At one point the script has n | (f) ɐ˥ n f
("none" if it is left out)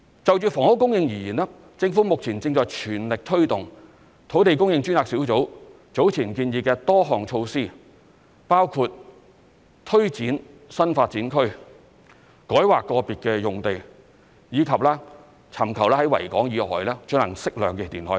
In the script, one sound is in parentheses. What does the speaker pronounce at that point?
s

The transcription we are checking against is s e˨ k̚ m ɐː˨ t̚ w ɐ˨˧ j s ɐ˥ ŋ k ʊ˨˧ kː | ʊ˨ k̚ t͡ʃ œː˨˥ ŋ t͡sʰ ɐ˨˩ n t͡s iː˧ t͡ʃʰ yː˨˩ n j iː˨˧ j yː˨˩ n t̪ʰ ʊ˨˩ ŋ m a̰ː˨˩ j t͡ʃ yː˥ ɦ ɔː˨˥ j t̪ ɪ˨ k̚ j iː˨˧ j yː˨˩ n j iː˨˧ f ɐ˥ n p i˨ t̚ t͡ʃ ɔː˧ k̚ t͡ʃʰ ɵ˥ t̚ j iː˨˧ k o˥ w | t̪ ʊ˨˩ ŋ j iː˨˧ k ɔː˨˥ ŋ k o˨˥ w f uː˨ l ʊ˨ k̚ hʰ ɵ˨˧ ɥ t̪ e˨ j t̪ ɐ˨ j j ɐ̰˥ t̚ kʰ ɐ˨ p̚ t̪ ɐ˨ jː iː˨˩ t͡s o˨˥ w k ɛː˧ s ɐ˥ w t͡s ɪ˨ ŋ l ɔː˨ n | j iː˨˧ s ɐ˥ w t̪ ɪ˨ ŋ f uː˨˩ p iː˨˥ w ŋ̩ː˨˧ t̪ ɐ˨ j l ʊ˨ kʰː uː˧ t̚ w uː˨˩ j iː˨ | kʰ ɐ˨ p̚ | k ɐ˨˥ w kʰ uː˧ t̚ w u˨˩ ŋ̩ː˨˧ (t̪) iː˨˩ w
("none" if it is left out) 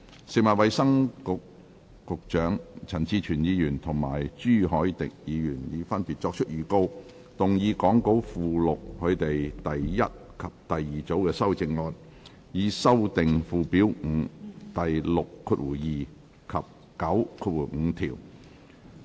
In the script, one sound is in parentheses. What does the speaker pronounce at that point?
t̪ʰ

